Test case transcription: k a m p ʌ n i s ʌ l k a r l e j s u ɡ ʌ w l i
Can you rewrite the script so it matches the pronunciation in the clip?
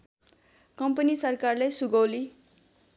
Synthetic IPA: k ʌ m p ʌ n i s ʌ r k a r l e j s u ɡ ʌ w l i